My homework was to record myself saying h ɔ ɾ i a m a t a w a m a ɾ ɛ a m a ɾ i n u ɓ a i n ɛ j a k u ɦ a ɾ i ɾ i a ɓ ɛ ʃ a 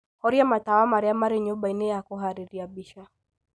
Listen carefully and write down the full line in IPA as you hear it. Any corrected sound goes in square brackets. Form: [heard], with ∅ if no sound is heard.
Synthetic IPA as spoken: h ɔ ɾ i a m a t a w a m a ɾ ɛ a m a ɾ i [ɲ] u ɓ a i n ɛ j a k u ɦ a ɾ i ɾ i a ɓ [i] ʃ a